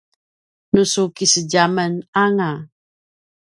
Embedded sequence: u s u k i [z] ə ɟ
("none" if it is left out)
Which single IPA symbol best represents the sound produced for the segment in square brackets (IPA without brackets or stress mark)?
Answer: s